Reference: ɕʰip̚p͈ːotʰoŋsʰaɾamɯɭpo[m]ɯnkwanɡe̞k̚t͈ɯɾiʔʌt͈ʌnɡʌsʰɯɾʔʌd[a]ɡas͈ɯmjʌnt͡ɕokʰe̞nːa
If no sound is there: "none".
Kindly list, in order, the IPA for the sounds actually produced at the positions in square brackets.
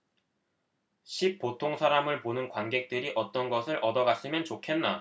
n, ʌ

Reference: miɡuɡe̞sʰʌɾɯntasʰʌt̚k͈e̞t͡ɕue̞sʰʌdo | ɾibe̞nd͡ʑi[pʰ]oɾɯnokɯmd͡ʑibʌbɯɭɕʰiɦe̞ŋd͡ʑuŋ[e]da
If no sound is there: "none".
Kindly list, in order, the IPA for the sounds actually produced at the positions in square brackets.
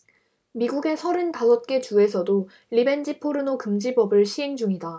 pʰ, i

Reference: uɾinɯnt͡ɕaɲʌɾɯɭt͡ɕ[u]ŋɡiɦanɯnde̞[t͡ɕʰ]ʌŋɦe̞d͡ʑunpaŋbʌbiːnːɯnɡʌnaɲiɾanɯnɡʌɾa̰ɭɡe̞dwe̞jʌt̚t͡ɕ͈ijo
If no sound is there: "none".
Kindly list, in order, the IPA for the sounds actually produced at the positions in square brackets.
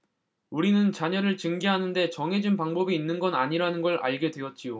ɯ, t͡ɕ

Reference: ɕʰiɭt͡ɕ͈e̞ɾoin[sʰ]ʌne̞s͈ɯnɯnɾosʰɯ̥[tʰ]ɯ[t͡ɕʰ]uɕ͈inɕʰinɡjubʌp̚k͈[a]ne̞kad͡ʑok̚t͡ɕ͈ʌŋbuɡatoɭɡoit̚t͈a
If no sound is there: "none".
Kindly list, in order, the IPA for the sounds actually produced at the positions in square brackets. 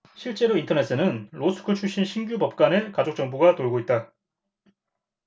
tʰ, kʰ, t͡ɕʰ, a

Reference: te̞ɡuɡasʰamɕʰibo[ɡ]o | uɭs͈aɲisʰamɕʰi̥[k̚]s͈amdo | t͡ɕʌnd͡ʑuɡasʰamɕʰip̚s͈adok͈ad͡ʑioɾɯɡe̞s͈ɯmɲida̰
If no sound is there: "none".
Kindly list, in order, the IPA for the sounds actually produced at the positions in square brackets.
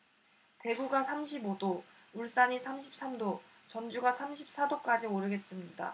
d, p̚

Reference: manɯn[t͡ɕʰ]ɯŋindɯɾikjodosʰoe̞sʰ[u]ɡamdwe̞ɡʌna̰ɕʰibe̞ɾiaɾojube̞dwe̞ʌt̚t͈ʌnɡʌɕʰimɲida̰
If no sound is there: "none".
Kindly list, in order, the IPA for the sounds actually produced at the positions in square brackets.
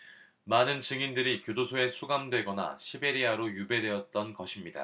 t͡ɕ, u

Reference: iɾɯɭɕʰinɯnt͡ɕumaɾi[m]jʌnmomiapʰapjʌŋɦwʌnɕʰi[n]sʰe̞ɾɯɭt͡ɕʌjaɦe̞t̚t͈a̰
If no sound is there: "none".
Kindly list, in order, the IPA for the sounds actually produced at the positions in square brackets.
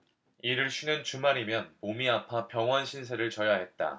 m, n

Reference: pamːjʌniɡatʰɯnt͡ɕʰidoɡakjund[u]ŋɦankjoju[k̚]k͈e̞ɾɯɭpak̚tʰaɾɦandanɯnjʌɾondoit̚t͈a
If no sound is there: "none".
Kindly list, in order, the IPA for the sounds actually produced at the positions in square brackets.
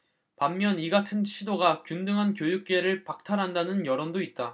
ɯ, k̚

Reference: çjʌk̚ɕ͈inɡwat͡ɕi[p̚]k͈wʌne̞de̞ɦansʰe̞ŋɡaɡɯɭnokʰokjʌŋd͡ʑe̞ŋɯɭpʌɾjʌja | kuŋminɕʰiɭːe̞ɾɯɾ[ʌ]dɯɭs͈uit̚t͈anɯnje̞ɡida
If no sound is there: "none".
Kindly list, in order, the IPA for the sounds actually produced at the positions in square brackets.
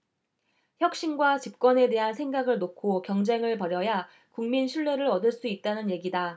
p̚, ʌ

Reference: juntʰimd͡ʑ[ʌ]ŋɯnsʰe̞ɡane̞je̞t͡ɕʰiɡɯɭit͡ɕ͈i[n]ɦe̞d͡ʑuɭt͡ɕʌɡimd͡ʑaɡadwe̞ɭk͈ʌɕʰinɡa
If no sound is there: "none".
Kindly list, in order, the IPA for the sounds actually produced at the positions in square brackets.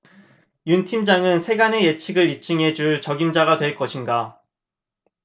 a, ŋ

